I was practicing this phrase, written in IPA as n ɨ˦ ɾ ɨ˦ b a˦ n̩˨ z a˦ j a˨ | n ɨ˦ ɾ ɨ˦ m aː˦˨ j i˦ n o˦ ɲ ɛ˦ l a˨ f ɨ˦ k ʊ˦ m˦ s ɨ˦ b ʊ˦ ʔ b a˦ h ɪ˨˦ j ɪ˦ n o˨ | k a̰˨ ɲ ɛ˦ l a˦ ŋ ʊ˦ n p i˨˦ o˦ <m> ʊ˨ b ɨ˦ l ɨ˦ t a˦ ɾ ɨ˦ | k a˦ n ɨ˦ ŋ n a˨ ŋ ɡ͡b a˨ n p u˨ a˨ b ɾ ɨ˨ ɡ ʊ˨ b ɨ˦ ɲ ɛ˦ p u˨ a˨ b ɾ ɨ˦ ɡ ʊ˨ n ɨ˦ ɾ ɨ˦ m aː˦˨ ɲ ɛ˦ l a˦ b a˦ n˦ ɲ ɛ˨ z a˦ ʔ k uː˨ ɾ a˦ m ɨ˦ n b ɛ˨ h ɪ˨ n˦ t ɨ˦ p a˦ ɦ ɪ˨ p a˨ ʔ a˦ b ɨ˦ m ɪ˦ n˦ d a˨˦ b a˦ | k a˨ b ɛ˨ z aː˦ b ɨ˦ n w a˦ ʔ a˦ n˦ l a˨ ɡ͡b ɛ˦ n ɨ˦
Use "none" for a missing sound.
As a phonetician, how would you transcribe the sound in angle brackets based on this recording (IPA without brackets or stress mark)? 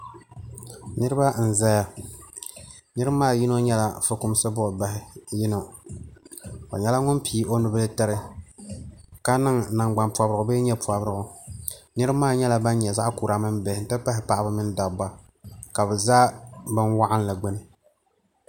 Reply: n